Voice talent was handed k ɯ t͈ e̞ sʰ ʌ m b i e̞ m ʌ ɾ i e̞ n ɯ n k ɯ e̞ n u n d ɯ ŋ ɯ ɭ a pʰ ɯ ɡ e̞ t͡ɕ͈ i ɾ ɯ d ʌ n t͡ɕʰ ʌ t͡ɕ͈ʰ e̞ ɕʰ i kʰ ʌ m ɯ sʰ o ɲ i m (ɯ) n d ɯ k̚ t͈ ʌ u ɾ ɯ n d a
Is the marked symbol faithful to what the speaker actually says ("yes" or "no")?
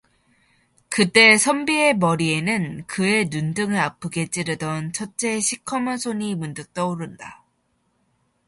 no